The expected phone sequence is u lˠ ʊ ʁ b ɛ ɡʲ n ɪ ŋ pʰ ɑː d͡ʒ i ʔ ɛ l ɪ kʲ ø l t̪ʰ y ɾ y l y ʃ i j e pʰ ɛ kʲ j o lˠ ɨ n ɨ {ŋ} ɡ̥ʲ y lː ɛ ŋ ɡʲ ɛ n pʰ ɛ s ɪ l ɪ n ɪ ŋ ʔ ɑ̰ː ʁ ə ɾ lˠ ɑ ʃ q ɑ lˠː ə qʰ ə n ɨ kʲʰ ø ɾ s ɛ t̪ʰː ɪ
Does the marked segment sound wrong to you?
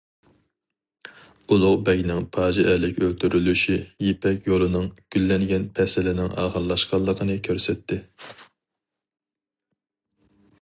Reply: no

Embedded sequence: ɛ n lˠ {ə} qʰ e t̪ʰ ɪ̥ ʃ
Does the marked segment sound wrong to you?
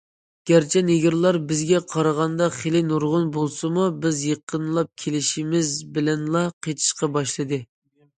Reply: yes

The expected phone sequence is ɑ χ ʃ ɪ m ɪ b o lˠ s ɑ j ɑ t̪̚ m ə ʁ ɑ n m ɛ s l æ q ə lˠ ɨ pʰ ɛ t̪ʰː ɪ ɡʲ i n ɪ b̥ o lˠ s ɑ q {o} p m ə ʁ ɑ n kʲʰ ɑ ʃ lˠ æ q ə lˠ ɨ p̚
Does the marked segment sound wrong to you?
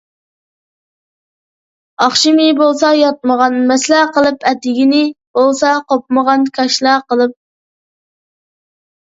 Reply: no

